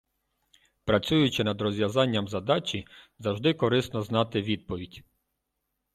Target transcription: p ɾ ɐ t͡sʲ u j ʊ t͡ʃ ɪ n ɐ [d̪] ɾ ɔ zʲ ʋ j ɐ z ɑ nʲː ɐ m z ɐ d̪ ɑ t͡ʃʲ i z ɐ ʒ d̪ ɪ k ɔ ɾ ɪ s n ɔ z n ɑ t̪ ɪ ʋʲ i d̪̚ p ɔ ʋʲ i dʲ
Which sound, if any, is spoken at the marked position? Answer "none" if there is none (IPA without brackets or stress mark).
d̪